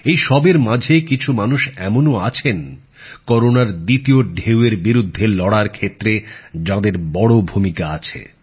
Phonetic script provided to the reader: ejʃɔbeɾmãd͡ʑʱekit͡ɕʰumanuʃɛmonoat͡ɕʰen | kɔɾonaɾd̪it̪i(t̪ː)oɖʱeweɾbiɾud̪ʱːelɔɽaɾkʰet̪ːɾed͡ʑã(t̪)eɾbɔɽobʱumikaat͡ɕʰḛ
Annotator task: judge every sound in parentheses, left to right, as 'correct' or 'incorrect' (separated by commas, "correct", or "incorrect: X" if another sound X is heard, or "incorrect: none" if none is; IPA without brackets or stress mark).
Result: incorrect: none, incorrect: d̪